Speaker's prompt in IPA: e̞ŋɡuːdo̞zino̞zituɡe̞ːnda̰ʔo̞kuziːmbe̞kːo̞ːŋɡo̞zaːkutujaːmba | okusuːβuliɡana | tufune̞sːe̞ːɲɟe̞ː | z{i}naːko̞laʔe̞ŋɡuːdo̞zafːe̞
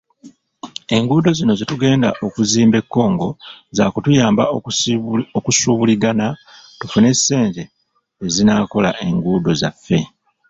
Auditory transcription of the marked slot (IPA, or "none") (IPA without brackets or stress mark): i